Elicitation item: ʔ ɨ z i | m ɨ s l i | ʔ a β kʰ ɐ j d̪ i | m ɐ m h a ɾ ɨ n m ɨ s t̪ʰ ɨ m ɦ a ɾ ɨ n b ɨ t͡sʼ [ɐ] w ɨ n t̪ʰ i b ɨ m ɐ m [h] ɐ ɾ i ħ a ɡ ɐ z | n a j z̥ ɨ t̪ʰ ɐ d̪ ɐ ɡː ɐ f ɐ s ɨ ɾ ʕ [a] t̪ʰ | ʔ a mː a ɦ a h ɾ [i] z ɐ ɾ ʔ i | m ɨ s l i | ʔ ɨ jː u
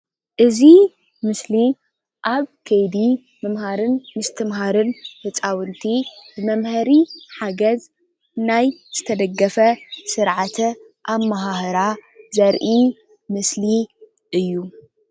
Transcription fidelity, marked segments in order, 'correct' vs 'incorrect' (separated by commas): incorrect, correct, correct, incorrect